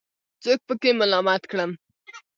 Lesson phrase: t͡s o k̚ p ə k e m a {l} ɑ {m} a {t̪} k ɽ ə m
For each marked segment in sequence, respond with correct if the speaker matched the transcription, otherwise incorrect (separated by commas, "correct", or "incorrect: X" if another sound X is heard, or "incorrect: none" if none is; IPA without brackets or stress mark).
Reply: correct, correct, correct